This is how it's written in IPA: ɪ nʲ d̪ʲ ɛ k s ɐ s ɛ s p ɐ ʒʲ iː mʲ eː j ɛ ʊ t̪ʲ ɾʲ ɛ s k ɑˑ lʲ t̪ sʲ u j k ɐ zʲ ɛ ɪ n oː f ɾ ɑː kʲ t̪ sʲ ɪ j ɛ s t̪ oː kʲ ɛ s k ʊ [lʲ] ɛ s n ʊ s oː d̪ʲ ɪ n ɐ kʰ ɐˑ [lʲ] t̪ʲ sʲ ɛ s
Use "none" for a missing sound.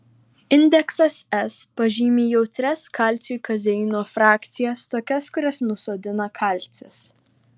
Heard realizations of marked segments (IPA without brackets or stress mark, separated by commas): ɾʲ, lʲ